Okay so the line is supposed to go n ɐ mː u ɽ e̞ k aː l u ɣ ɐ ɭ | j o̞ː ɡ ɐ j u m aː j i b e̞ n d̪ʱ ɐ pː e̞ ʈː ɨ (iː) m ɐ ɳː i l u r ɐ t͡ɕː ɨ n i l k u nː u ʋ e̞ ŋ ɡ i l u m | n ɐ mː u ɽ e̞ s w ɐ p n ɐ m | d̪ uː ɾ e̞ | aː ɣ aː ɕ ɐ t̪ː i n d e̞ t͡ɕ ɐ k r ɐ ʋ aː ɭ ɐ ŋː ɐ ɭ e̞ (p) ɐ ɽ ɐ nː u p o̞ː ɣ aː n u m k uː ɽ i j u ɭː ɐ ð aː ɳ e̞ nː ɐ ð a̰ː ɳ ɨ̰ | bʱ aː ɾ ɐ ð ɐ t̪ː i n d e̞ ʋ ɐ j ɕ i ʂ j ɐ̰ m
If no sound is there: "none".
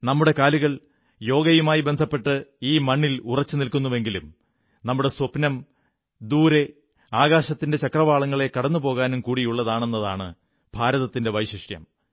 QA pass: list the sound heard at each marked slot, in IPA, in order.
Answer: iː, k

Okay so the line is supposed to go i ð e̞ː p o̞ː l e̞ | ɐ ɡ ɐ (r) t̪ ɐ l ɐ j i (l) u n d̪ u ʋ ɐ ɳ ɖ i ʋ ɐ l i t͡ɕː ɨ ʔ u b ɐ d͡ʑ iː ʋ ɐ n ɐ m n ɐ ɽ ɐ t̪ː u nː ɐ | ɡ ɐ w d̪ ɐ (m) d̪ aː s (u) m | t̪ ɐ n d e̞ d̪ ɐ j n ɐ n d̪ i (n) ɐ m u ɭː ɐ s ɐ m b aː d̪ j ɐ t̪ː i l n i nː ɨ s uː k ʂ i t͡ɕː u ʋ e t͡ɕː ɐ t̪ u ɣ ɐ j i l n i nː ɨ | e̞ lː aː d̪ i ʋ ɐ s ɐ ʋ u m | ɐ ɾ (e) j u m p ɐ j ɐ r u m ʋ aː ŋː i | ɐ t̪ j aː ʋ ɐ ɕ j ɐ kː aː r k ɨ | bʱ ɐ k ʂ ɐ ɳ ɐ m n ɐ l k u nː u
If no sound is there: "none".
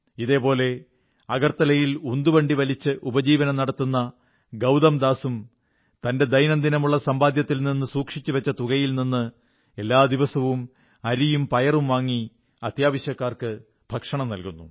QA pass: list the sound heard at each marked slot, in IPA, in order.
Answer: r, l, m, u, n, i

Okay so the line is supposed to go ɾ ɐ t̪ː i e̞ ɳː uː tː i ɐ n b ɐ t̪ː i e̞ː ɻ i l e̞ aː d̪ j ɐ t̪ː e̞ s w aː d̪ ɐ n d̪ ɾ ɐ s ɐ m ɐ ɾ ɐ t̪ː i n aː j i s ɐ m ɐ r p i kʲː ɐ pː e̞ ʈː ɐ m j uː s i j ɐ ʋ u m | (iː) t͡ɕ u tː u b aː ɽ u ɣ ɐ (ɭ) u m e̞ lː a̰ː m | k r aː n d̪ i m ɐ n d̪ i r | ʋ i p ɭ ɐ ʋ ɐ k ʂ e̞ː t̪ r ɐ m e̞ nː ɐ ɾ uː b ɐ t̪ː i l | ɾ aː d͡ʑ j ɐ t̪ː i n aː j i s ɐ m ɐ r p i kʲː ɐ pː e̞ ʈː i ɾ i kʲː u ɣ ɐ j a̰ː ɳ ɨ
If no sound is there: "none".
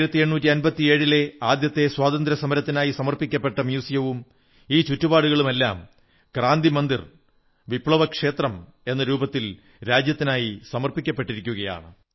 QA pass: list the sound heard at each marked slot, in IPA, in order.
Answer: iː, ɭ

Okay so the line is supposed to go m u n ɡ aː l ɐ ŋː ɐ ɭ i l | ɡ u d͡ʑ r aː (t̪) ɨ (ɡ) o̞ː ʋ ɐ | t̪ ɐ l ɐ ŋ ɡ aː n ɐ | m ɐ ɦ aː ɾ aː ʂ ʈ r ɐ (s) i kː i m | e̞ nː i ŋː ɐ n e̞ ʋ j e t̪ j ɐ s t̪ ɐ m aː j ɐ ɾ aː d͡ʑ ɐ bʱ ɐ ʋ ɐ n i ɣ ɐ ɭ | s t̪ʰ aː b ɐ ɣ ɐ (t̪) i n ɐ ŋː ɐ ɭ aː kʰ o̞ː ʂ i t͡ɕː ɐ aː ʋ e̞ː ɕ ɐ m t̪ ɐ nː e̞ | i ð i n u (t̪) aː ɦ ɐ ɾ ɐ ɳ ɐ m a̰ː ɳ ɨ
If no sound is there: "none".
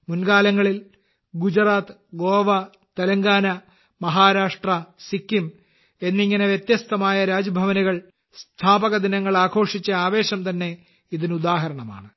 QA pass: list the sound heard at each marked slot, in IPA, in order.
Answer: t̪, ɡ, s, d̪, d̪

